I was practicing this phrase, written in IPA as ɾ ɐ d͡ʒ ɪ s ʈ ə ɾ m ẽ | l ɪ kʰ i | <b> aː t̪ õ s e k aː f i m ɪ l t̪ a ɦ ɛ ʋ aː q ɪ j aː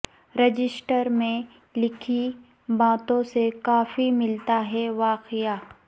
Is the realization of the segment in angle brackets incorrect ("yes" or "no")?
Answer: no